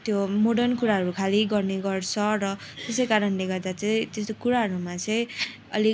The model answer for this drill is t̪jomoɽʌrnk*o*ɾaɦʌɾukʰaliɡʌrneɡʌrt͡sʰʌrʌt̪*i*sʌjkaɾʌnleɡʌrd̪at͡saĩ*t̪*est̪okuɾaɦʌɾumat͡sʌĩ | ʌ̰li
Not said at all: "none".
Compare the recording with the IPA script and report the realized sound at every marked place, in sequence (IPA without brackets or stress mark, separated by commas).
u, e, t̪